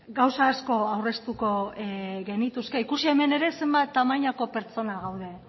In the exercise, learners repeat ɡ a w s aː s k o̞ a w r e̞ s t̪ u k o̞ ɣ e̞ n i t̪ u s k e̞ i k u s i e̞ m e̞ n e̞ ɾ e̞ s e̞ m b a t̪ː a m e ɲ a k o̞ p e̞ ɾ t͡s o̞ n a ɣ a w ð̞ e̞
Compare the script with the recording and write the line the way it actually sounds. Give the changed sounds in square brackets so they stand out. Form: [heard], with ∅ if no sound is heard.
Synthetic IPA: ɡ a w s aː s k o̞ a w r e̞ s t̪ u k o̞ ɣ e̞ n i t̪ u s k e̞ i k u s i e̞ m e̞ n e̞ ɾ e̞ s e̞ m b a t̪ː a m [a] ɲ a k o̞ p e̞ ɾ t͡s o̞ n a ɣ a w ð̞ e̞